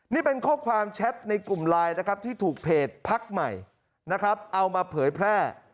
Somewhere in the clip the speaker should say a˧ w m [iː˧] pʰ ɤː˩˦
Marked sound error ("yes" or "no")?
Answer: yes